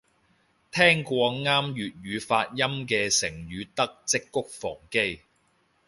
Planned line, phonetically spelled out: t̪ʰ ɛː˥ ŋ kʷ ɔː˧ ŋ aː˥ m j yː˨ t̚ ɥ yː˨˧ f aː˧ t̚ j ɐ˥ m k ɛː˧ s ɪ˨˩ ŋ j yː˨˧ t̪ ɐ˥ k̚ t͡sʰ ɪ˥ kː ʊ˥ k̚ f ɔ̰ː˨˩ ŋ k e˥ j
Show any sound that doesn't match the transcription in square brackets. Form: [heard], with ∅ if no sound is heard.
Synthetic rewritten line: t̪ʰ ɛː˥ ŋ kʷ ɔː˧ ŋ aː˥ m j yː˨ t̚ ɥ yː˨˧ f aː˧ t̚ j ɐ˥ m k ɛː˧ s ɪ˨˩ ŋ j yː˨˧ t̪ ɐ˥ k̚ [t͡s] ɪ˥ kː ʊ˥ k̚ f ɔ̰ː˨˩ ŋ k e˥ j